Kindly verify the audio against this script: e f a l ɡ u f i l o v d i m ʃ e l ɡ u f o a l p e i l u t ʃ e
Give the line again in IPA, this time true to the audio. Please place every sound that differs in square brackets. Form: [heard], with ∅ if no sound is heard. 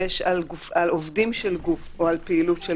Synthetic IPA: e [ʃ] a l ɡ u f [a] l o v d i m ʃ e l ɡ u f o a l p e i l u t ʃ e